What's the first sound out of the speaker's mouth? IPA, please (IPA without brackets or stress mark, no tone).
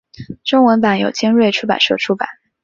ʈ͡ʂ